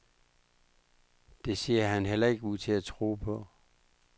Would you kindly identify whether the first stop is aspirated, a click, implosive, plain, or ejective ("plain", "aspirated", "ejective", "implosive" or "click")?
plain